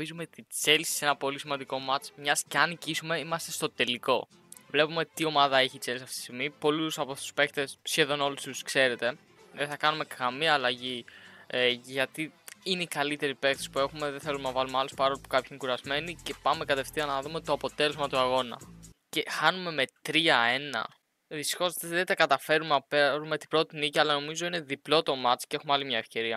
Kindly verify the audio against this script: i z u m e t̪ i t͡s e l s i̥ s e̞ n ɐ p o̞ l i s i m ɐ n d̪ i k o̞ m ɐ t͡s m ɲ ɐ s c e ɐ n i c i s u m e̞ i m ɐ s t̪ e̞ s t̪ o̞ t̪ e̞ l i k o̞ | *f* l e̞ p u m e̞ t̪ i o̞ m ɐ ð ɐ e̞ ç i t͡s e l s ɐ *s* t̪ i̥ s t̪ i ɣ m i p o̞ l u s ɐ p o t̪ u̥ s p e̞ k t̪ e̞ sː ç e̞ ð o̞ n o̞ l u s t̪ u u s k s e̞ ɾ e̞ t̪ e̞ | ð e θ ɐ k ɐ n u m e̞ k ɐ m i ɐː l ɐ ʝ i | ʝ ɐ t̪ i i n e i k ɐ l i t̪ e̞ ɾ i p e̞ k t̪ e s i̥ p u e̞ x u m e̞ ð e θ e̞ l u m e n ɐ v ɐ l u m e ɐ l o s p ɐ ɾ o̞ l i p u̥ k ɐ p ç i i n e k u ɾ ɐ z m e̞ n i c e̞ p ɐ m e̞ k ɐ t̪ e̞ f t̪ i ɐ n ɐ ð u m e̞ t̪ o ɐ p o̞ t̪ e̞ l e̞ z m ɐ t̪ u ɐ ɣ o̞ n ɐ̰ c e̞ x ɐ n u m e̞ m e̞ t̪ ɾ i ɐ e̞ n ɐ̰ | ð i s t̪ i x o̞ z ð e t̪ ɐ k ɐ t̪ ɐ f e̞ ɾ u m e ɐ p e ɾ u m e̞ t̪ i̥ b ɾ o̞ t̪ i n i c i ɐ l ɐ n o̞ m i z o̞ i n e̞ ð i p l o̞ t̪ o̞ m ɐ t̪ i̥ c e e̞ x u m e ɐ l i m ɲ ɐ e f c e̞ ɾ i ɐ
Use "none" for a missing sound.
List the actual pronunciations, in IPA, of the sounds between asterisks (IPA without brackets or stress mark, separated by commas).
v, f